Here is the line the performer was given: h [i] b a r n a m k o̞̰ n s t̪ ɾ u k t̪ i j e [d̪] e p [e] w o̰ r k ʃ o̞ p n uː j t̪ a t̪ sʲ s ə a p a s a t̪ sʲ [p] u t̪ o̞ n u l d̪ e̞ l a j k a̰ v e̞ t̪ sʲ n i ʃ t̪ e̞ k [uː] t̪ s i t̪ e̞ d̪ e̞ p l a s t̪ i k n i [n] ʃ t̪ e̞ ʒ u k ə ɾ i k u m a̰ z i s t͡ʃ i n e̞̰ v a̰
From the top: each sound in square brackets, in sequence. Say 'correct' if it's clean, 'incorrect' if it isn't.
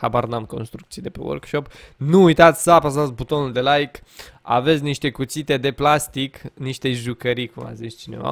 incorrect: a, correct, correct, incorrect: b, incorrect: u, incorrect: none

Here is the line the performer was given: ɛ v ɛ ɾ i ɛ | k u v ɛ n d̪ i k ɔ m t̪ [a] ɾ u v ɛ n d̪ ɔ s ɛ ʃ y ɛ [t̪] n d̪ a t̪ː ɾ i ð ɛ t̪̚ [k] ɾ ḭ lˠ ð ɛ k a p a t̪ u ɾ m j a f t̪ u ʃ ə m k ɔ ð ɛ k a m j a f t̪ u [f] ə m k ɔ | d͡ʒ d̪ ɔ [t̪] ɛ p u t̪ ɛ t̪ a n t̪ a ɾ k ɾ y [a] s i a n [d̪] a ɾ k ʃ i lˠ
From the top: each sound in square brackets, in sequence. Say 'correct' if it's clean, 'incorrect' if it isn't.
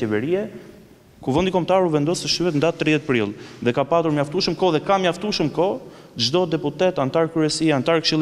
correct, correct, incorrect: p, incorrect: ʃ, incorrect: d̪, incorrect: ɛ, incorrect: t̪

